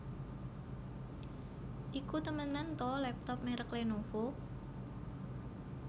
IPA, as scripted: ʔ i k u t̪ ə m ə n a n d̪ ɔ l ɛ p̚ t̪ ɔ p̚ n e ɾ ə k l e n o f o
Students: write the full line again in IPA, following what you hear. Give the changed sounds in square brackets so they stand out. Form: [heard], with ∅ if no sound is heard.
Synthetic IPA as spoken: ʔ i k u t̪ ə m ə n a n [t̪] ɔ l ɛ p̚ t̪ ɔ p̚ [m] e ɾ ə k l e n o f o